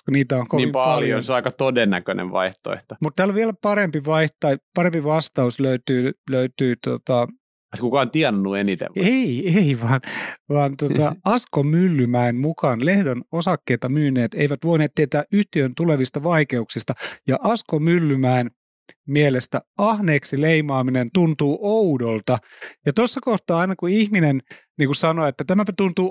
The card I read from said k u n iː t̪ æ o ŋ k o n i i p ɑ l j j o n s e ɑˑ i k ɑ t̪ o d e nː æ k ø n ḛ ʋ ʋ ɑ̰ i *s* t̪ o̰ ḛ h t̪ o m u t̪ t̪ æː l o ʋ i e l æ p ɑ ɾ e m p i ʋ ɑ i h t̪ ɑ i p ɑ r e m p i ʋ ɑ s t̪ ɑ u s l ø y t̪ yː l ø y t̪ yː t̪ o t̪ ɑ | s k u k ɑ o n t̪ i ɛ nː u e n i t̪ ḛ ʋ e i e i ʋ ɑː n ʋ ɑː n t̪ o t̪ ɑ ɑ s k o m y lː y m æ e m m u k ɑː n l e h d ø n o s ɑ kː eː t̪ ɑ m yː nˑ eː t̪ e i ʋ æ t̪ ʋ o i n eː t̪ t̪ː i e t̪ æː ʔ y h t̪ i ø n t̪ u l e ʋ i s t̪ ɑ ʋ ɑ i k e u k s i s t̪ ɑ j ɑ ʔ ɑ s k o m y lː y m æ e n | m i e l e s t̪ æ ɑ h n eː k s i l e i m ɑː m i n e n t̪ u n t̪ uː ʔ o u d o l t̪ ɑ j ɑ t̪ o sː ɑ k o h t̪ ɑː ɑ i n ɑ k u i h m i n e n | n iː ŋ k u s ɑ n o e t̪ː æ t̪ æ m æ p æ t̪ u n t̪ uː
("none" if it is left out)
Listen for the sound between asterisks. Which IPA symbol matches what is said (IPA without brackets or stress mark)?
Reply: h